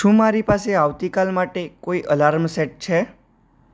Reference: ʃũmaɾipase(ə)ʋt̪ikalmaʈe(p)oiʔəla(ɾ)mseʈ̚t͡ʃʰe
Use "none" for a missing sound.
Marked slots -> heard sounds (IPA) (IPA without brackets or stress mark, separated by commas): a, k, ɾ